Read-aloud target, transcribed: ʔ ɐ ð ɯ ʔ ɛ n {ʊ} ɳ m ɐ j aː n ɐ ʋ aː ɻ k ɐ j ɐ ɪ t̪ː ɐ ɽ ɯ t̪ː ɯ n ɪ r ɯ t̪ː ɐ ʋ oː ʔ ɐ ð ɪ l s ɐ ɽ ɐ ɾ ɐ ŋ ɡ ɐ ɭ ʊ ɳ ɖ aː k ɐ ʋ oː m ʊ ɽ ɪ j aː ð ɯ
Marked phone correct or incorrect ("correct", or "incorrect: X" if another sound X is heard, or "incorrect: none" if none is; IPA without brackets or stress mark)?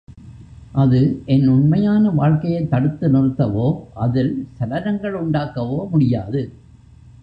correct